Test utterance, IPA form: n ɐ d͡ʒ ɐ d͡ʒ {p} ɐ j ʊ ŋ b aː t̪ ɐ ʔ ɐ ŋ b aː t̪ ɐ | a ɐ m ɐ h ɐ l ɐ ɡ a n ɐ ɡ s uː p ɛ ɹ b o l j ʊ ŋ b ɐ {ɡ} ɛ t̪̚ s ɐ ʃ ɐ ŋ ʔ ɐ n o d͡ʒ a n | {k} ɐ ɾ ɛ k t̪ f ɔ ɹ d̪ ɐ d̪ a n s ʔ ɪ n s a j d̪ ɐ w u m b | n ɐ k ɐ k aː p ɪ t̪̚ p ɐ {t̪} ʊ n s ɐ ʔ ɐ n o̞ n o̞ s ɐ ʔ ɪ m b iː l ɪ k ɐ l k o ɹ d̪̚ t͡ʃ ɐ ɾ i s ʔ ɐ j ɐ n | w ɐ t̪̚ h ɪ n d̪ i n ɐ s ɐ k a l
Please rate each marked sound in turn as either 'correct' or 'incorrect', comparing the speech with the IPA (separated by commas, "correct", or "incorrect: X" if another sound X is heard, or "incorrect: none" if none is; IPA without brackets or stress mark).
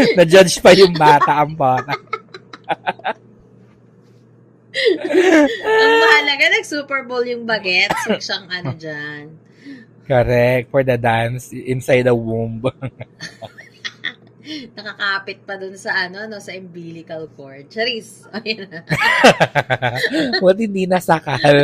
correct, correct, correct, incorrect: d̪